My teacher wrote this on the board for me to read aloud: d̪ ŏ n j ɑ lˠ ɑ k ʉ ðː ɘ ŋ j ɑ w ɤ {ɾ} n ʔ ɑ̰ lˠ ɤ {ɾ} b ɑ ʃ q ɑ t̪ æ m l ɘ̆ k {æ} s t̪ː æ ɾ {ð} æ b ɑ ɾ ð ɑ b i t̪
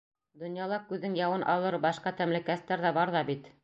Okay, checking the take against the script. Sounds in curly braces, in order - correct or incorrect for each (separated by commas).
incorrect, correct, correct, correct